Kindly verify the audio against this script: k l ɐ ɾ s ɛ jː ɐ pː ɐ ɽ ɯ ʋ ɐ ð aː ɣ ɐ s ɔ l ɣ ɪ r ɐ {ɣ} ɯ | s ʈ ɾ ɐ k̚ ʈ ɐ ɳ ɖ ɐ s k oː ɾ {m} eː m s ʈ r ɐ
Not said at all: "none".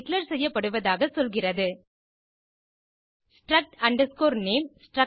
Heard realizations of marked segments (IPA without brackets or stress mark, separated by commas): ð, n